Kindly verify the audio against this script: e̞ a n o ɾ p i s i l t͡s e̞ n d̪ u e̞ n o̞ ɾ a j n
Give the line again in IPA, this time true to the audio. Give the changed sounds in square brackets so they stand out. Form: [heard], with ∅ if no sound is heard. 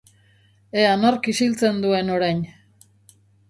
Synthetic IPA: e̞ a n o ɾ [k] i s i l t͡s e̞ n d̪ u e̞ n o̞ ɾ a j n